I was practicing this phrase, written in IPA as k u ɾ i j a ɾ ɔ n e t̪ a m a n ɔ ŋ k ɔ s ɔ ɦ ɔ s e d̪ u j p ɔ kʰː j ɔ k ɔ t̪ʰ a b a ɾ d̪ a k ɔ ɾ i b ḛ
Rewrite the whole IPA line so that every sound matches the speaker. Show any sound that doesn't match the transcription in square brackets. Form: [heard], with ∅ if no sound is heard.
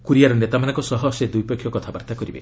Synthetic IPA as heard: k u ɾ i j a ɾ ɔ n e t̪ a m a n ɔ ŋ k ɔ s ɔ ɦ ɔ s e d̪ u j p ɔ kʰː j ɔ k ɔ t̪ʰ a b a ɾ [t̪] a k ɔ ɾ i b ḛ